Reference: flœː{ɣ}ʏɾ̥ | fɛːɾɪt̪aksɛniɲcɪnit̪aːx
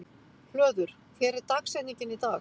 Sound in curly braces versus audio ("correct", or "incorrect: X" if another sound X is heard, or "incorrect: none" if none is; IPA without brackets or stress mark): incorrect: ð